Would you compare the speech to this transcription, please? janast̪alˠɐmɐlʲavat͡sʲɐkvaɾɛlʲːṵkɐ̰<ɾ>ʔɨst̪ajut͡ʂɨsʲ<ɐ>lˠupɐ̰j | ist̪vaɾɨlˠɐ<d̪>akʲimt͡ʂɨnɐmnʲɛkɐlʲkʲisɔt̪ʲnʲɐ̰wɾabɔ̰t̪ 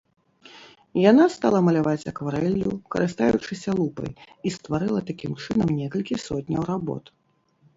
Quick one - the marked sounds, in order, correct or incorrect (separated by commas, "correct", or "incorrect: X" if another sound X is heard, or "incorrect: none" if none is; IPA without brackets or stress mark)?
correct, correct, incorrect: t̪